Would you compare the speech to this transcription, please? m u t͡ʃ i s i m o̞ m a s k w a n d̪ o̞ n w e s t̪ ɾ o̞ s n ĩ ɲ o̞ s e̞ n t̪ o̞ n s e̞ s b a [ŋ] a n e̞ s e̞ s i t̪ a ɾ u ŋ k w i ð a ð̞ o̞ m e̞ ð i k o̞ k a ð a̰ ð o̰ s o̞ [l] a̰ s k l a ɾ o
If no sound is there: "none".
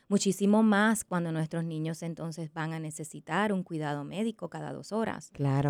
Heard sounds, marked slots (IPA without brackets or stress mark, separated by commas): ŋ, ɾ